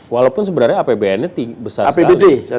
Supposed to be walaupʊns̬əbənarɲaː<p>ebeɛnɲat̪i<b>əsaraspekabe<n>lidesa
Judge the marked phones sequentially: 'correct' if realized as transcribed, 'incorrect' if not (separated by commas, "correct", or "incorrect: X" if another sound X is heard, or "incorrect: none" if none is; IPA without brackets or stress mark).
correct, correct, incorrect: none